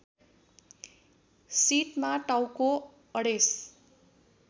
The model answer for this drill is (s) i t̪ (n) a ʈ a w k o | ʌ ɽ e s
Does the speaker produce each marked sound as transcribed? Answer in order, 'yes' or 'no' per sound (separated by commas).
yes, no